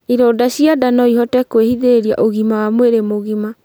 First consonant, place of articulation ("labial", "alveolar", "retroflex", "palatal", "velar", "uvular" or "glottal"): alveolar